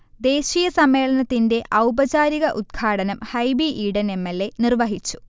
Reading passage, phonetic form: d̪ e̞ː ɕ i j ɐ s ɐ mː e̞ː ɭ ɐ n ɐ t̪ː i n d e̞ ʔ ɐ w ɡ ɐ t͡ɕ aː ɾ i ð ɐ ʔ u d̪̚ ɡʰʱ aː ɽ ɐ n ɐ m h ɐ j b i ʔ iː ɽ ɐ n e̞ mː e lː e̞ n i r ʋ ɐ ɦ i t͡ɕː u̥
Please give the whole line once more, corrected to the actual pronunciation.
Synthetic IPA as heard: d̪ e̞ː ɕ i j ɐ s ɐ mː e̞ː ɭ ɐ n ɐ t̪ː i n d e̞ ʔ ɐ w b ɐ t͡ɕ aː ɾ i ɣ ɐ ʔ u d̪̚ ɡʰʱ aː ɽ ɐ n ɐ m h ɐ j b i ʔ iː ɽ ɐ n e̞ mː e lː e̞ n i r ʋ ɐ ɦ i t͡ɕː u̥